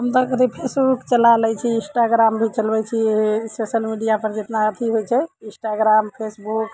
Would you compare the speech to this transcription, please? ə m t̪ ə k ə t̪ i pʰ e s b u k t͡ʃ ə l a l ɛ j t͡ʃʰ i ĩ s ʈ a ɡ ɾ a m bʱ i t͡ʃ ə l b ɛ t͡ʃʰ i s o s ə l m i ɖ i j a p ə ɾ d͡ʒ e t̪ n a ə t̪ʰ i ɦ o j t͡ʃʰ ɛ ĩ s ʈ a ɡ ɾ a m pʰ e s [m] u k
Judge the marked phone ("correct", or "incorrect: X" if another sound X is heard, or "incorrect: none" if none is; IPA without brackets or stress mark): incorrect: b